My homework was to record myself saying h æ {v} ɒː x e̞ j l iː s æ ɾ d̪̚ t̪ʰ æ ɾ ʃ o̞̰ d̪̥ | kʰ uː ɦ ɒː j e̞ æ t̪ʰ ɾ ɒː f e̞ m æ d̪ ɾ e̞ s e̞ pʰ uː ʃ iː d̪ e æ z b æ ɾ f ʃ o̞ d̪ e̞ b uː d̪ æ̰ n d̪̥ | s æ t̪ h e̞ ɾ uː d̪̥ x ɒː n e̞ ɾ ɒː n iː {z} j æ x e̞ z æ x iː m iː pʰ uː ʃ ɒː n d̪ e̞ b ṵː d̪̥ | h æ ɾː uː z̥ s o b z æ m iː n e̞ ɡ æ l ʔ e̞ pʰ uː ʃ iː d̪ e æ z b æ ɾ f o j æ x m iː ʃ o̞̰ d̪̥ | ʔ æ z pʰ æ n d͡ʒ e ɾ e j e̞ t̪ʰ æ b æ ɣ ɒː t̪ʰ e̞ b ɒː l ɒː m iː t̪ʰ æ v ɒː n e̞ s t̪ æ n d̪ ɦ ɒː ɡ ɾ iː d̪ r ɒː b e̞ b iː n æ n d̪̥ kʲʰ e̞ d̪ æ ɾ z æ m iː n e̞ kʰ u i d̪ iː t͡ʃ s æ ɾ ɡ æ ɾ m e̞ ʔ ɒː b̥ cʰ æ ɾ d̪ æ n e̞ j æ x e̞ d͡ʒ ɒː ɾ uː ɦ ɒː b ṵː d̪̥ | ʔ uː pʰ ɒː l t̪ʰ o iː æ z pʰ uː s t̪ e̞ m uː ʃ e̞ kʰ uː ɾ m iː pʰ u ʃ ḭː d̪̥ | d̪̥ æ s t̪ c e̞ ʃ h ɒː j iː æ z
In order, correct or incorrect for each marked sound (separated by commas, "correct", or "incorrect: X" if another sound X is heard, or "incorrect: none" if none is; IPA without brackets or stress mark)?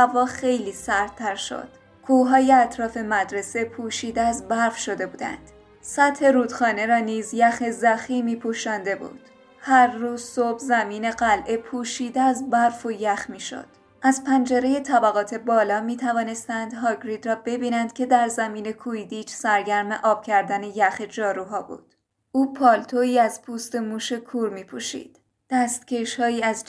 correct, correct